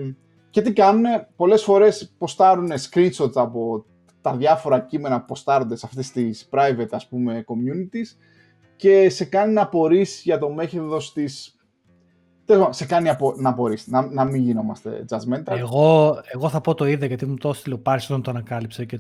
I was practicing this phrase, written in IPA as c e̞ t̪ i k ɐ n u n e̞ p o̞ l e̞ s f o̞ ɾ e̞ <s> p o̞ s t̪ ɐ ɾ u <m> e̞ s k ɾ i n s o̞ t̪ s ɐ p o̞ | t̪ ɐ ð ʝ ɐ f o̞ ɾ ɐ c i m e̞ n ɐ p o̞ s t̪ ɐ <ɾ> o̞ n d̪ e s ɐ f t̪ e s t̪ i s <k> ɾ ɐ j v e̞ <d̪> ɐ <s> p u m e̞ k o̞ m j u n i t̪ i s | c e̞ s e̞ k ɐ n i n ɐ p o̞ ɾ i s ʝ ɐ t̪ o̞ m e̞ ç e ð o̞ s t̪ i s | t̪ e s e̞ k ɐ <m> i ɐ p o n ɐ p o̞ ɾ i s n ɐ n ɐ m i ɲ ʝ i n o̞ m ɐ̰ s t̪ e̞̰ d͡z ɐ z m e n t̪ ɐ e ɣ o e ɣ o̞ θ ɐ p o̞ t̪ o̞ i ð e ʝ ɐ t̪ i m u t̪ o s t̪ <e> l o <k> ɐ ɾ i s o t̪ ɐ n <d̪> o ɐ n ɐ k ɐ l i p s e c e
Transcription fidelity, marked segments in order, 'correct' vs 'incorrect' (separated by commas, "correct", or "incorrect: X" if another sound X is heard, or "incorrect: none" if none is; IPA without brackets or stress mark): correct, incorrect: n, correct, incorrect: p, incorrect: t̪, correct, incorrect: n, incorrect: i, incorrect: p, incorrect: t̪